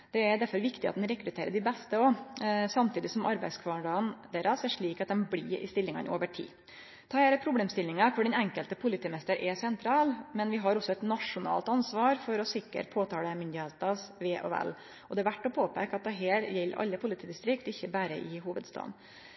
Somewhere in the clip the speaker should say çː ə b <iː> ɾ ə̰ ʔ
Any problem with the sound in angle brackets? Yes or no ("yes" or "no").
yes